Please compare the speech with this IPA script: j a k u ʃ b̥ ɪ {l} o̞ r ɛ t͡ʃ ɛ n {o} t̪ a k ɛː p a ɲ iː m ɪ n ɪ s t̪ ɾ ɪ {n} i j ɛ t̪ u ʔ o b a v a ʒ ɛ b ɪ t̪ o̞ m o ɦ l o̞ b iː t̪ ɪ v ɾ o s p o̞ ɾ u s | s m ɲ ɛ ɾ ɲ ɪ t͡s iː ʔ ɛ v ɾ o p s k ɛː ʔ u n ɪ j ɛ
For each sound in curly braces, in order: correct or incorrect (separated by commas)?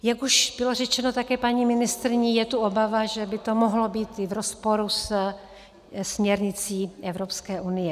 correct, correct, incorrect